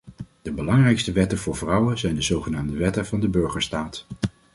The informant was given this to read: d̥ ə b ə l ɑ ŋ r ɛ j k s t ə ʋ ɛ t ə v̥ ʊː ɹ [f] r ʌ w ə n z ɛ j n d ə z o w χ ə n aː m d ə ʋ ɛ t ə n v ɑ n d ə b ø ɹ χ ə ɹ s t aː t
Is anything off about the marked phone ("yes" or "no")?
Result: yes